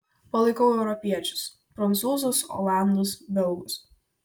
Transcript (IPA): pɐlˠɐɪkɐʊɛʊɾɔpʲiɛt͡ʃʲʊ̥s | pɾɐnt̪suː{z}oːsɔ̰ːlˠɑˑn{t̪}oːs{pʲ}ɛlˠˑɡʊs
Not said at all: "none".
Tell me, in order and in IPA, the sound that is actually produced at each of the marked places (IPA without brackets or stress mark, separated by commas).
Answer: z, d̪, bʲ